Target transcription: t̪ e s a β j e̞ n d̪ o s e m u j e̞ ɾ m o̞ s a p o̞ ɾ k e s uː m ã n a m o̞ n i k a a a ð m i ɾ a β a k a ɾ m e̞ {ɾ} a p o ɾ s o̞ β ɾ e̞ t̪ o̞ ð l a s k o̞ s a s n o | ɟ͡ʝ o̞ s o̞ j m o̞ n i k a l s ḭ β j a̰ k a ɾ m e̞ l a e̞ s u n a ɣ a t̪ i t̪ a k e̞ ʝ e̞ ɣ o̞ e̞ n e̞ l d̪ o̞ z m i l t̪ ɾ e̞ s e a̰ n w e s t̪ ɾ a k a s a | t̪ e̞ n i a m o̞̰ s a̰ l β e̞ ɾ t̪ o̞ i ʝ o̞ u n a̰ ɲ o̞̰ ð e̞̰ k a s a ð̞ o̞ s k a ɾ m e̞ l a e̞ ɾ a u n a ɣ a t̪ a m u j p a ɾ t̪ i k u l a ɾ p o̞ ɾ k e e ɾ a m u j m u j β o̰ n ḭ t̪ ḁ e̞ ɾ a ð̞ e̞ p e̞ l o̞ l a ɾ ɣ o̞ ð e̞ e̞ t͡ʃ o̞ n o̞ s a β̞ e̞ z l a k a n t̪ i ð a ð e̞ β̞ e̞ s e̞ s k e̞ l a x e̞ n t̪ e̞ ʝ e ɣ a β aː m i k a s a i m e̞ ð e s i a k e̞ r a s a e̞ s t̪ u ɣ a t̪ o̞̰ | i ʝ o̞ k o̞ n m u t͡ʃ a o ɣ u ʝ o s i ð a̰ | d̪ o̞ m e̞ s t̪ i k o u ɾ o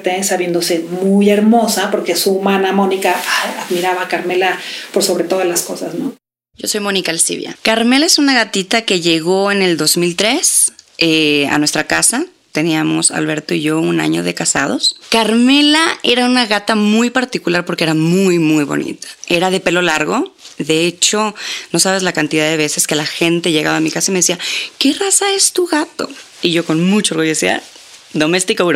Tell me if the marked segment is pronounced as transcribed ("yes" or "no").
no